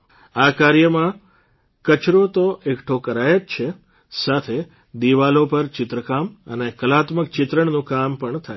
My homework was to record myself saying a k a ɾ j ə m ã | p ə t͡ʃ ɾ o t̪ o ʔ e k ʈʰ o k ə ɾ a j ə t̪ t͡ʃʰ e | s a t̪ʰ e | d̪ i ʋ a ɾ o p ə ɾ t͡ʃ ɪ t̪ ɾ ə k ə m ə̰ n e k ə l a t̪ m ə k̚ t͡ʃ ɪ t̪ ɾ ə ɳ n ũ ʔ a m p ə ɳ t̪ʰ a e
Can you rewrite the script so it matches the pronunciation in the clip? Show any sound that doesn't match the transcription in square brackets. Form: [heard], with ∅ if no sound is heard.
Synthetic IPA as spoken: a k a ɾ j ə m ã | [k] ə t͡ʃ ɾ o t̪ o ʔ e k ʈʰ o k ə ɾ a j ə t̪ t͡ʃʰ e | s a t̪ʰ e | d̪ i ʋ a [l] o p ə ɾ t͡ʃ ɪ t̪ ɾ ə k [a] m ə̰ n e k ə l a t̪ m ə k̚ t͡ʃ ɪ t̪ ɾ ə ɳ n ũ [k] a m p ə ɳ t̪ʰ a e